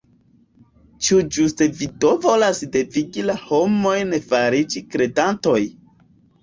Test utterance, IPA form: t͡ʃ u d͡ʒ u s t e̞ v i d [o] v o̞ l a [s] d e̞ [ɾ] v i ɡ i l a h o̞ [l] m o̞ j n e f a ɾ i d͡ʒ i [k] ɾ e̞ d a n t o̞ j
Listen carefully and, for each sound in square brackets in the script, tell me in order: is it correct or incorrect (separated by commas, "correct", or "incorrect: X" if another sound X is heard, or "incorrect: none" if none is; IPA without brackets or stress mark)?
correct, correct, incorrect: none, incorrect: none, correct